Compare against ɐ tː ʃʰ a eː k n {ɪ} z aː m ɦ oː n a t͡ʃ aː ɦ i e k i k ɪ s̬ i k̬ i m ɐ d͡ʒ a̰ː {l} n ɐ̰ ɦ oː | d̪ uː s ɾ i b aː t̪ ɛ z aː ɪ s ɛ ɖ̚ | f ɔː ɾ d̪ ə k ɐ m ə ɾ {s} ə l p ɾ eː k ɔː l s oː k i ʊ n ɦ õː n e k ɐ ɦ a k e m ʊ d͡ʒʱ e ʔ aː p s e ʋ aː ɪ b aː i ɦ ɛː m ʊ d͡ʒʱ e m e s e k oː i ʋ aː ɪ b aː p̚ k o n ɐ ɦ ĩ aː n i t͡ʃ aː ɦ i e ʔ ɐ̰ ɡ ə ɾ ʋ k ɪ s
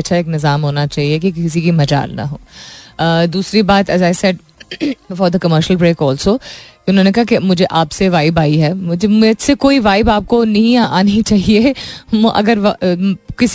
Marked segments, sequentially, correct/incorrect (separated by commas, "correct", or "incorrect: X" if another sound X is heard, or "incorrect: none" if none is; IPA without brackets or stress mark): correct, correct, incorrect: ʃ